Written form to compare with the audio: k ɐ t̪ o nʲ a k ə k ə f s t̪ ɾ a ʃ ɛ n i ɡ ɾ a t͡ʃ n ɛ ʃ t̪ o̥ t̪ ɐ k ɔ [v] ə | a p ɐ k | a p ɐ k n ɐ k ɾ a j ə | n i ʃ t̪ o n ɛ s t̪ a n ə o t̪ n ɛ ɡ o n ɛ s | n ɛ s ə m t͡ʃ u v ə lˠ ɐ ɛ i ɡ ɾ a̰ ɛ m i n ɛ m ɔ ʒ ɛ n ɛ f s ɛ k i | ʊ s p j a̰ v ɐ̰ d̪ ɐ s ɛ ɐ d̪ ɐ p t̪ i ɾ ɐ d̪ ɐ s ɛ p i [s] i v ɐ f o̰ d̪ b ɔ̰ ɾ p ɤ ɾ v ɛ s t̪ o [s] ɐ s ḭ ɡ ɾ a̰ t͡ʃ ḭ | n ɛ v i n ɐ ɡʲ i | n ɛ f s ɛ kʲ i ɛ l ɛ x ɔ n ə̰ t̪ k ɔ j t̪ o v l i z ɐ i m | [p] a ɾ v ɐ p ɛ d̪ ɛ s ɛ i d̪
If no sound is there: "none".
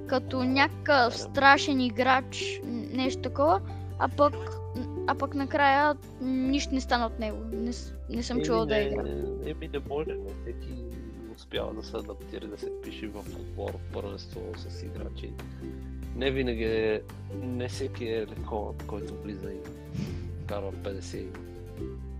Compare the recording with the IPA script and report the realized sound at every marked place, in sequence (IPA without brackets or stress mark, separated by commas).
v, ʃ, s, k